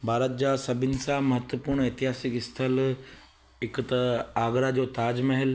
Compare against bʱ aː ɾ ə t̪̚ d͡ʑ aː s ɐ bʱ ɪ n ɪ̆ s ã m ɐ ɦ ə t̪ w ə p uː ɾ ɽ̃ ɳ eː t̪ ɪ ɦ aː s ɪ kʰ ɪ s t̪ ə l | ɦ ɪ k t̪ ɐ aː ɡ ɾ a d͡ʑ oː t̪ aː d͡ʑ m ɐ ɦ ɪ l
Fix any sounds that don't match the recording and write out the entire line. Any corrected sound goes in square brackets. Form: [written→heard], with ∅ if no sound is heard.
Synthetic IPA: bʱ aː ɾ ə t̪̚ d͡ʑ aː s ɐ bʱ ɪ n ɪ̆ s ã m ɐ ɦ ə t̪ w ə p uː ɾ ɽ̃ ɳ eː t̪ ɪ ɦ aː s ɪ [kʰ→k] ɪ s [t̪→t̪ʰ] ə l | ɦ ɪ k t̪ ɐ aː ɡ ɾ a d͡ʑ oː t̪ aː d͡ʑ m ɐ ɦ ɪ l